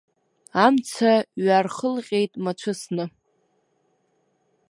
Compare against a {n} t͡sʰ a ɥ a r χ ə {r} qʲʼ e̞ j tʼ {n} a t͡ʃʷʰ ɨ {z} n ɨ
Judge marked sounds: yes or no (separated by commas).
no, no, no, no